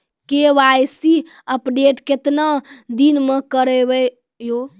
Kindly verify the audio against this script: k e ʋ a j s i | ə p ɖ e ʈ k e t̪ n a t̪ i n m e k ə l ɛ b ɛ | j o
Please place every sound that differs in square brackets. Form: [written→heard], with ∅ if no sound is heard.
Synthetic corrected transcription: k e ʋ a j s i | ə p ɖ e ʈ k e t̪ n a [t̪→d̪] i n m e k ə [l→ɾ] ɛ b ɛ | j o